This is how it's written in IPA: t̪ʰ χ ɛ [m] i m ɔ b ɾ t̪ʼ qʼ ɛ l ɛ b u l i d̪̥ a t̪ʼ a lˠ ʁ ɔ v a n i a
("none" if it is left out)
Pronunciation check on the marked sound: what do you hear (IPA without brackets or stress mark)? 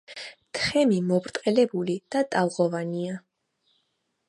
m